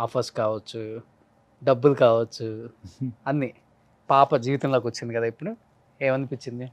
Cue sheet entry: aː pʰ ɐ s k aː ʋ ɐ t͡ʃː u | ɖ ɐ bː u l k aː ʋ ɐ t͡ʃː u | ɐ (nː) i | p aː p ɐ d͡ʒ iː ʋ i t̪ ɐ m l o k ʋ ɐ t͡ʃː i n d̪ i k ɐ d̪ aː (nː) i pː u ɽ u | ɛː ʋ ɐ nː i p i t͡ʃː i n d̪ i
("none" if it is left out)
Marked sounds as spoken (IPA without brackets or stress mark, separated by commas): nː, none